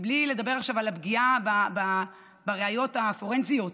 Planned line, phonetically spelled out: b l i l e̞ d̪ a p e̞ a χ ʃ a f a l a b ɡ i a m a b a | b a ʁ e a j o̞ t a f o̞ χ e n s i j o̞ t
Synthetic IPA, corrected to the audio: b l i l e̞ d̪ a b e̞ a χ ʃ a v a l a b ɡ i a b a b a | b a ʁ e a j o̞ t a f o̞ ʁ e n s i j o̞ t